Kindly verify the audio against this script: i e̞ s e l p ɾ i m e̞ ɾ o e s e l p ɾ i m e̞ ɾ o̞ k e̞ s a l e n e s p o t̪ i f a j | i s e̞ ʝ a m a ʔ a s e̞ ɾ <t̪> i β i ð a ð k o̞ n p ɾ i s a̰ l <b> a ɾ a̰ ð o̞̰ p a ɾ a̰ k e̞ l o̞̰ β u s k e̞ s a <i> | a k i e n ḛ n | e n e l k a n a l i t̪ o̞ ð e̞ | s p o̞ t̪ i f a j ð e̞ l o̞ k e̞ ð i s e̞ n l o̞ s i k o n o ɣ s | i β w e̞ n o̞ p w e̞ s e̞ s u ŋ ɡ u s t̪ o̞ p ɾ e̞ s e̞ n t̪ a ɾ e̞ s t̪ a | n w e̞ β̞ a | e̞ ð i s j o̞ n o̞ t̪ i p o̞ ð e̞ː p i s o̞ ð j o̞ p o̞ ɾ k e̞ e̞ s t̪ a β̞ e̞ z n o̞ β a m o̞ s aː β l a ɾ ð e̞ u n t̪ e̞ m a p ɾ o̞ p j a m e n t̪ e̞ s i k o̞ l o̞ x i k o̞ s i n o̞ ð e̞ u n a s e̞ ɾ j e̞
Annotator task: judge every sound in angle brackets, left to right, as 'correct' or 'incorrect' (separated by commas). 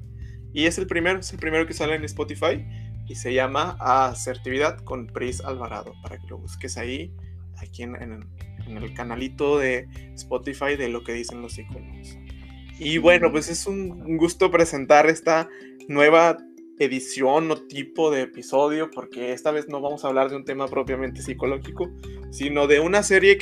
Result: correct, incorrect, correct